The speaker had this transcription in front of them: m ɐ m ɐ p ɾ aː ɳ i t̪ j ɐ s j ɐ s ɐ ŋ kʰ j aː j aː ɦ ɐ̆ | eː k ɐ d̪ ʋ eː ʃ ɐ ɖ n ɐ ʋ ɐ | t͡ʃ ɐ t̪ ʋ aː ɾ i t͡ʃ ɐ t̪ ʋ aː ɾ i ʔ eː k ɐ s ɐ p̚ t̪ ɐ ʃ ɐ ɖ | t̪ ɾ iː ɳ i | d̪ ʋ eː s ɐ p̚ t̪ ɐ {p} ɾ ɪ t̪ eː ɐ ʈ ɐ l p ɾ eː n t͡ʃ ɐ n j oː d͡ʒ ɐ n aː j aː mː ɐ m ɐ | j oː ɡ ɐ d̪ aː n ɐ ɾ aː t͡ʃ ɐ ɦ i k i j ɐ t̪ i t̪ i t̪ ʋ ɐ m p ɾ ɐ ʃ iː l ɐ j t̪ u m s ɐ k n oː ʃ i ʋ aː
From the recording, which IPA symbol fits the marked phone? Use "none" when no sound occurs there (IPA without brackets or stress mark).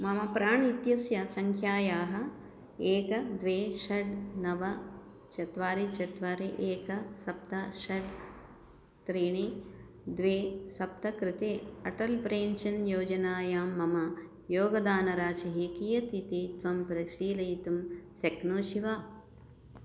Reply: k